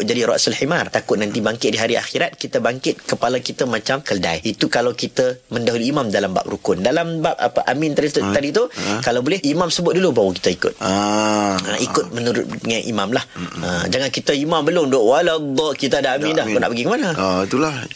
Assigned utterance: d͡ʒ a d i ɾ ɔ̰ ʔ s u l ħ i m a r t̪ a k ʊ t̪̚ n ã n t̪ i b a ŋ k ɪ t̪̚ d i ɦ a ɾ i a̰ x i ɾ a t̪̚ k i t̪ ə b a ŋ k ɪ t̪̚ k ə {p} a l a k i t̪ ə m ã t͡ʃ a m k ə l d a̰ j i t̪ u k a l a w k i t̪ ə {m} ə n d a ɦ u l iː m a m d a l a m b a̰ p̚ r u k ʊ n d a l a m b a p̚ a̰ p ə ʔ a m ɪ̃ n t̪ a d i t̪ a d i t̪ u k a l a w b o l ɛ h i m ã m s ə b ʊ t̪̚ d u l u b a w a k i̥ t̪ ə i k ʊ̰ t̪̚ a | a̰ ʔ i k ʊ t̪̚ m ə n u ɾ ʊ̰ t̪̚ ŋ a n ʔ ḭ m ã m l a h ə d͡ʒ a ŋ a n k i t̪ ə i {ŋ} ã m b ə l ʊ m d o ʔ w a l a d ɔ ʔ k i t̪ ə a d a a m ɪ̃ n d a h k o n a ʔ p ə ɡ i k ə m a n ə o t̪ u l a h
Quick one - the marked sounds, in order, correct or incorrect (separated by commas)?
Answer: correct, correct, incorrect